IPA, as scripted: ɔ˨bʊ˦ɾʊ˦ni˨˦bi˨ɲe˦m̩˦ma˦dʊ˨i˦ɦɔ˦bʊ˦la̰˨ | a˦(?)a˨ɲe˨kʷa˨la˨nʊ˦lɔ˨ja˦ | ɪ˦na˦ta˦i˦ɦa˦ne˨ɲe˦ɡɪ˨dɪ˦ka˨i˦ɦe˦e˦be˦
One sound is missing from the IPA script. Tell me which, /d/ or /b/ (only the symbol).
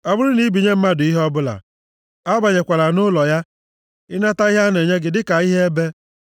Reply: b